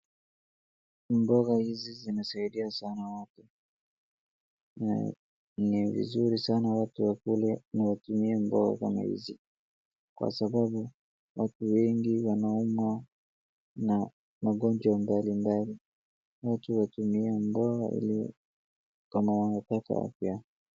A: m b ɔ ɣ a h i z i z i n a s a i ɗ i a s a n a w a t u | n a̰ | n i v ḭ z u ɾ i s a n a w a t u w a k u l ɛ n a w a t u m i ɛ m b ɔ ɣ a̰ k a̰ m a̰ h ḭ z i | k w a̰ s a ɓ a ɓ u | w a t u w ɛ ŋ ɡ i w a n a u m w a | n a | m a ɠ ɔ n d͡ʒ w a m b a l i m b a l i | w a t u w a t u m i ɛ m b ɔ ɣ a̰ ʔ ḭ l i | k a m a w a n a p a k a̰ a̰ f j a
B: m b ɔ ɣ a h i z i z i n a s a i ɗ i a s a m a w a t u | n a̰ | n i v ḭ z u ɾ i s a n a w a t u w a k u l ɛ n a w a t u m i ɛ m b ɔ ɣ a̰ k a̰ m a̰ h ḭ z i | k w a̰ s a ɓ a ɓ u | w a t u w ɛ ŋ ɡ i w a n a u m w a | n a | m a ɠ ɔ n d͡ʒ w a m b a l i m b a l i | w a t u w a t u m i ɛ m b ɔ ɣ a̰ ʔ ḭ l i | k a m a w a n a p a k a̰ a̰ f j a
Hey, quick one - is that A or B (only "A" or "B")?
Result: A